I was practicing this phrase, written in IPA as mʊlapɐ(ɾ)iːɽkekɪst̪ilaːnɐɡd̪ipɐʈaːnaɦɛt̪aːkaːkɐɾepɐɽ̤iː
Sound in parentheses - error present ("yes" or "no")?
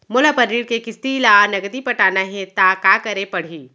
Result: no